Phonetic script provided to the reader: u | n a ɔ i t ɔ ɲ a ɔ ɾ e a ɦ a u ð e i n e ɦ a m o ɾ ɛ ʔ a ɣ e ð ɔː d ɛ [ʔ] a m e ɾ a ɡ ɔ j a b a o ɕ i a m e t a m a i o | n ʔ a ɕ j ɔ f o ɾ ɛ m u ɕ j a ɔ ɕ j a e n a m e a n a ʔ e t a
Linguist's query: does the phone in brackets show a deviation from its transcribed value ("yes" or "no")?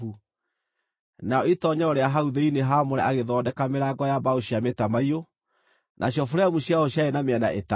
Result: yes